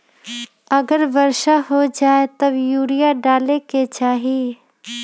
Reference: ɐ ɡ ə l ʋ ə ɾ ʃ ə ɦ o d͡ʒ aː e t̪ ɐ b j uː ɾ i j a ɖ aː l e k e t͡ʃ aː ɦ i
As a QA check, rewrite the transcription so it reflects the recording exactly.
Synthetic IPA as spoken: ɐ ɡ ə ɾ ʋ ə ɾ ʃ a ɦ o d͡ʒ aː e t̪ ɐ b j uː ɾ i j a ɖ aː l e k e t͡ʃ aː ɦ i